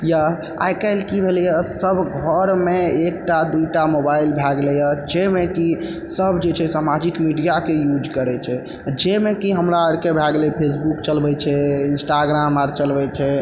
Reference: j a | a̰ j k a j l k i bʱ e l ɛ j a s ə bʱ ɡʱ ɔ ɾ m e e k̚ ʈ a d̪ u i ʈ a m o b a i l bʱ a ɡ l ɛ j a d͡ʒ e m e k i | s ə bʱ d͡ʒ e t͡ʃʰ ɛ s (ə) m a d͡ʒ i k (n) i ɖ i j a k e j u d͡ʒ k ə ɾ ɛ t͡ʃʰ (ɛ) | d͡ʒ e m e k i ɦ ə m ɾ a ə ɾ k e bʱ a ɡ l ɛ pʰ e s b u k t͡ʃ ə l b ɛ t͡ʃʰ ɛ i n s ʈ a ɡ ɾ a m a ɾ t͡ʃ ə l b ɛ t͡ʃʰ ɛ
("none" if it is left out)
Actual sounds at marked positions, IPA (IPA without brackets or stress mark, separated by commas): a, m, ɛ